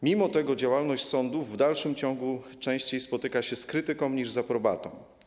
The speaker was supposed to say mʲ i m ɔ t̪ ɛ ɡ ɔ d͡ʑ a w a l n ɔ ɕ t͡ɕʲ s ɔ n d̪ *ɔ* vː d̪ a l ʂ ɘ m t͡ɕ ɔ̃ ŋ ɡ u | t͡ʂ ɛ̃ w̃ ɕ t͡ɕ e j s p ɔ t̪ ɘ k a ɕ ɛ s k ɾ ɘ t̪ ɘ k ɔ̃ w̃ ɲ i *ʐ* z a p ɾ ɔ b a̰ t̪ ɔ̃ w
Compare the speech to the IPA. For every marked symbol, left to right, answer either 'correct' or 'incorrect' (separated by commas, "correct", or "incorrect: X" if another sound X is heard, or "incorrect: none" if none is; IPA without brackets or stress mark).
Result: incorrect: u, correct